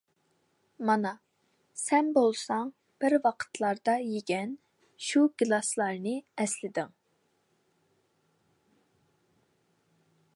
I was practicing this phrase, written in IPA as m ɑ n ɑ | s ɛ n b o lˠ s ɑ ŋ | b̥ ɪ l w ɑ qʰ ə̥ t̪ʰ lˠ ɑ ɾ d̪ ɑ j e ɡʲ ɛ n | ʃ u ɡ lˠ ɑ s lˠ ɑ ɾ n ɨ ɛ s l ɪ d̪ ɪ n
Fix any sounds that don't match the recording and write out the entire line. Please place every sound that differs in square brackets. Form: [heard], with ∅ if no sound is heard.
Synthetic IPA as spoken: m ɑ n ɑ | s ɛ n b o lˠ s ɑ ŋ | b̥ ɪ [ɾ] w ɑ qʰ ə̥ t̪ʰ lˠ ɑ ɾ d̪ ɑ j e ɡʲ ɛ n | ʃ u ɡ lˠ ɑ s lˠ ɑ ɾ n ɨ ɛ s l ɪ d̪ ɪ [ŋ]